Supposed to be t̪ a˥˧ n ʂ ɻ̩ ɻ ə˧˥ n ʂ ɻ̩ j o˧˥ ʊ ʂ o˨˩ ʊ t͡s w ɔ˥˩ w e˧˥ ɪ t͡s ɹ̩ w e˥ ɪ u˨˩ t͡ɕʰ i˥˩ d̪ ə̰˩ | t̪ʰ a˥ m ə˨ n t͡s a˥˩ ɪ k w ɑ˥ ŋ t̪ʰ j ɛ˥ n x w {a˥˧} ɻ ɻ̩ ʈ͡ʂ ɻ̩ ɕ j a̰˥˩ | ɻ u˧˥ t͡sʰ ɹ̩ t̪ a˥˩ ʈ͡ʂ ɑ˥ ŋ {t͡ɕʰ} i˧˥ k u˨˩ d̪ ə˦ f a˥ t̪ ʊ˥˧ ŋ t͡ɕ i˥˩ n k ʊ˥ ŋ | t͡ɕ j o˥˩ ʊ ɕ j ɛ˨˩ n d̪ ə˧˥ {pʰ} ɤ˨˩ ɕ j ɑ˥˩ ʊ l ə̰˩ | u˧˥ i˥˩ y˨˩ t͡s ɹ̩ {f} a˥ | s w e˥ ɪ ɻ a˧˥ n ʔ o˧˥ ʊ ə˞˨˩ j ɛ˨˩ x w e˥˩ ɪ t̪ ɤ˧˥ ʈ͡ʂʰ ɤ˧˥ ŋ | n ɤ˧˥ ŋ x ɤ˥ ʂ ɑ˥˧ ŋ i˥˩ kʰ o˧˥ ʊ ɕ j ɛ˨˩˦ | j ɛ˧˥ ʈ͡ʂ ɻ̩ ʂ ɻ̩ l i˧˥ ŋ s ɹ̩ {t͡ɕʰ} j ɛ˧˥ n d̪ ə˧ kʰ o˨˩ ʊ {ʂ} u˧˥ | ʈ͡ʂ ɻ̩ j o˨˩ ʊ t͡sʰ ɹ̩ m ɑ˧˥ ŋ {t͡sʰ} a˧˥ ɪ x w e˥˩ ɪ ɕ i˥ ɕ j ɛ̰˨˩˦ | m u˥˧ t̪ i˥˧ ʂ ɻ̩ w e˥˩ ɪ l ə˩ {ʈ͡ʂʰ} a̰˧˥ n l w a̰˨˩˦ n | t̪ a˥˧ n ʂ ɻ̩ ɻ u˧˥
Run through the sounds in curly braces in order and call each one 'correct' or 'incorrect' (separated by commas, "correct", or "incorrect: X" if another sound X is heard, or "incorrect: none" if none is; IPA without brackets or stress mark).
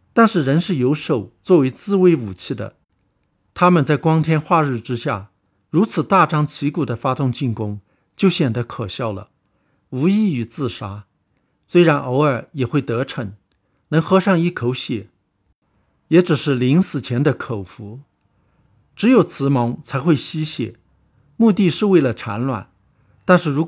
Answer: correct, correct, incorrect: kʰ, incorrect: ʂ, correct, incorrect: f, correct, correct